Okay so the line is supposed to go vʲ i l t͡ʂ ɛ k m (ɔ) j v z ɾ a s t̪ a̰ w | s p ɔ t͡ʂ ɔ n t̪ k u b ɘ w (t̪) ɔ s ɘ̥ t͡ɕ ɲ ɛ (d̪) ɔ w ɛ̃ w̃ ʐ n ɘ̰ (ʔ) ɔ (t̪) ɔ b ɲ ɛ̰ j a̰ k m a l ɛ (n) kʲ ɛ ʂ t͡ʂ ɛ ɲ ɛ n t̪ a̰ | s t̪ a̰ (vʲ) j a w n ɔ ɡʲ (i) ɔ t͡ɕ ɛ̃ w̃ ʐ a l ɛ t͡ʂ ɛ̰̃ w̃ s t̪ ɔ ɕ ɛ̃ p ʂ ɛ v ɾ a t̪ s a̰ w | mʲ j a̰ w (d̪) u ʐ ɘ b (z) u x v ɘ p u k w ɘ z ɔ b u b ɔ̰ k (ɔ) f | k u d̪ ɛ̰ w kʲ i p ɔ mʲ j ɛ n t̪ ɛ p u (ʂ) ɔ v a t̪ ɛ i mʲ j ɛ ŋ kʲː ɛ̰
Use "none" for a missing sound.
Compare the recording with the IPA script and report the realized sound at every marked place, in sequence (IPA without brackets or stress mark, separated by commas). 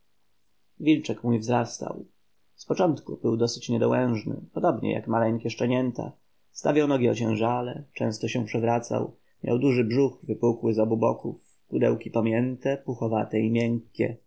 u, d̪, d̪, p, d̪, ŋ, vʲ, i, d̪, ʐ, u, x